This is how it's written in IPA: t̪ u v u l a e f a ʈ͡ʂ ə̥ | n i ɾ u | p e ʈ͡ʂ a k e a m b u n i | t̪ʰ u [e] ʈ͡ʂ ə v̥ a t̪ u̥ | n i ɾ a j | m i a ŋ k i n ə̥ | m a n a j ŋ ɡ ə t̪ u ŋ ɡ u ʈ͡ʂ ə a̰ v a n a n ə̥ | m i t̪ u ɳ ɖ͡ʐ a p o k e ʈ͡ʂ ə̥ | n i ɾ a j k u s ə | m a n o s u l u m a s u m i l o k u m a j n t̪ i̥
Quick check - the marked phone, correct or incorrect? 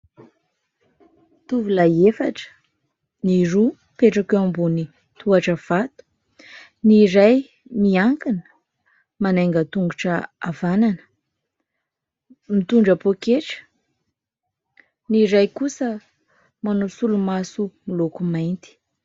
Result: incorrect